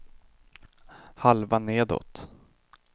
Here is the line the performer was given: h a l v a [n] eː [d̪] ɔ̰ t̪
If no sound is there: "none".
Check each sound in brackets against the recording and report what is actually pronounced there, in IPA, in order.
n, d̪

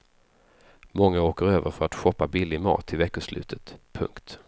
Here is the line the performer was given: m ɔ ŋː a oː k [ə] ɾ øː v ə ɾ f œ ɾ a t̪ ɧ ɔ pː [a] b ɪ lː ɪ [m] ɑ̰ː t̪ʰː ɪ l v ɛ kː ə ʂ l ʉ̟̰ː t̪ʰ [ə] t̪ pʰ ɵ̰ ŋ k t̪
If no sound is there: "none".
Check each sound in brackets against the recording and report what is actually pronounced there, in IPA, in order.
ə, a, m, ə

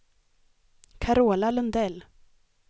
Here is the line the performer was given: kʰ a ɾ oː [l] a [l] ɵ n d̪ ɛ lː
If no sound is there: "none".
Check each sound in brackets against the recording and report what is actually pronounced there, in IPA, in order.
l, l

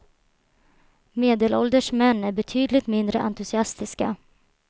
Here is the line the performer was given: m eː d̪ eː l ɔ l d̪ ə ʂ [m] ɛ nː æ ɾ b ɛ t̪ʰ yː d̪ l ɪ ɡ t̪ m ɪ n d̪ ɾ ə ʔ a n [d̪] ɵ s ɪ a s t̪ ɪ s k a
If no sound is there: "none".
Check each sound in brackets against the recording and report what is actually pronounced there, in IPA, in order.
m, t̪

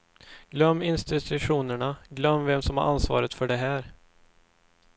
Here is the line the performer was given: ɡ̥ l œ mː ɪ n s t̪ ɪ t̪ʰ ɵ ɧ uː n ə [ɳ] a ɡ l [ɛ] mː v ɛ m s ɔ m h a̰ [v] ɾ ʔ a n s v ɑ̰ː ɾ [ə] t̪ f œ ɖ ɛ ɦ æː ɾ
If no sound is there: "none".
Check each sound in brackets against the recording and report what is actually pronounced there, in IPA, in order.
ɳ, œ, none, ə

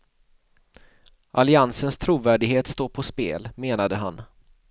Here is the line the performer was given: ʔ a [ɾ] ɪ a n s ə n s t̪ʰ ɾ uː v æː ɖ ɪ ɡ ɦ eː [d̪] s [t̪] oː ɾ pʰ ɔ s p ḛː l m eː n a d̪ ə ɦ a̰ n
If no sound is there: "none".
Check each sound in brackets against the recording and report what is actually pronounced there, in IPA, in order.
l, t̪, t̪

